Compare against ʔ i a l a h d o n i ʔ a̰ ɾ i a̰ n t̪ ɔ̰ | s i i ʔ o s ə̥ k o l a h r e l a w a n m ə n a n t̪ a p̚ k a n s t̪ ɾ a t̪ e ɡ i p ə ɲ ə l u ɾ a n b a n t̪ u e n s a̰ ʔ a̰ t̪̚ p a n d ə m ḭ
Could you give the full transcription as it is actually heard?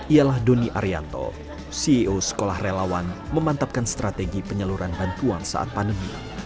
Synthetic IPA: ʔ i a l a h d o n i ʔ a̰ ɾ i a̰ n t̪ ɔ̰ | s i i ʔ o s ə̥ k o l a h r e l a w a n m ə m a n t̪ a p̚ k a n s t̪ ɾ a t̪ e ɡ i p ə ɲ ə l u ɾ a n b a n t̪ u a n s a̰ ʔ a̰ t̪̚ p a n d ə m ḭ